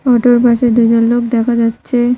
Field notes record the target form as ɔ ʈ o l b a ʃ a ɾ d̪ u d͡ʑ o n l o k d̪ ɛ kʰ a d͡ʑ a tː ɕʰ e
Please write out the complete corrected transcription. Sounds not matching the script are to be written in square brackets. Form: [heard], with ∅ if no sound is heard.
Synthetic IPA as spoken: ɔ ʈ o [ɾ] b a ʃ [e] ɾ d̪ u d͡ʑ o n l o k d̪ ɛ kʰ a d͡ʑ a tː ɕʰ e

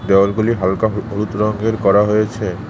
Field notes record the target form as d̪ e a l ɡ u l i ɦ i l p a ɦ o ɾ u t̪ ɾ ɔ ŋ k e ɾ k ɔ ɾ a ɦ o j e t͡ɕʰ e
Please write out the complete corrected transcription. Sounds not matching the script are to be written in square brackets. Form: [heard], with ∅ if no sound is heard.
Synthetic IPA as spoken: d̪ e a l ɡ u l i ɦ [a] l [k] a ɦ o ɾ u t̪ ɾ ɔ ŋ [ɡ] e ɾ k ɔ ɾ a ɦ o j e t͡ɕʰ e

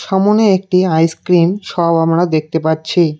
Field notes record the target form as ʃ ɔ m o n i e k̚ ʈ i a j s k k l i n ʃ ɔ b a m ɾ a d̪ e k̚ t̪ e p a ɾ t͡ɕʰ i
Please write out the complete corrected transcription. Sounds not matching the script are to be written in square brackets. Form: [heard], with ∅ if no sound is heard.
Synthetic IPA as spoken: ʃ ɔ m o n [e] e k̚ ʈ i a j s k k [ɾ] i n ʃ ɔ b a m ɾ a d̪ e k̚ t̪ e p a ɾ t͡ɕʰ i

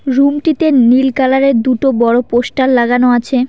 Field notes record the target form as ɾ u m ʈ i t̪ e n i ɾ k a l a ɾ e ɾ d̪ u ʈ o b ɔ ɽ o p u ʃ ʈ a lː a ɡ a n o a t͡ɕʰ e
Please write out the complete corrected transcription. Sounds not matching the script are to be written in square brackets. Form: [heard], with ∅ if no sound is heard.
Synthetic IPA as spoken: ɾ u m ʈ i t̪ e n i [l] k a l a ɾ e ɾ d̪ u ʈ o b ɔ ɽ o p [o] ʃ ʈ a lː a ɡ a n o a t͡ɕʰ e

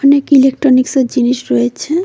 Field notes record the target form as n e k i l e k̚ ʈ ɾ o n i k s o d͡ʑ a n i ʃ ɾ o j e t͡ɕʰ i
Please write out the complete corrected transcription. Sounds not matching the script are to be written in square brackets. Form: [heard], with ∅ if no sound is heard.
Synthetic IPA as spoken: n e k i l e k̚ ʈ ɾ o n i k s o d͡ʑ [i] n i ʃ ɾ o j e t͡ɕʰ [e]

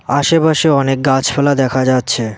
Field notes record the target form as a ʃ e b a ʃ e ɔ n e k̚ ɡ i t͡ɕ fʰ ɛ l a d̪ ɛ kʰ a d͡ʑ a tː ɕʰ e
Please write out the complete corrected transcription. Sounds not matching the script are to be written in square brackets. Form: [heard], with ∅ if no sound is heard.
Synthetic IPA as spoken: a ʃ e [p] a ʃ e ɔ n e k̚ ɡ [a] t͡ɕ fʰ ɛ l a d̪ ɛ kʰ a d͡ʑ a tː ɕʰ e

